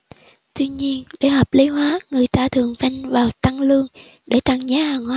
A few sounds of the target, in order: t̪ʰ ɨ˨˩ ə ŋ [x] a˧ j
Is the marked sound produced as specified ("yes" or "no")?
no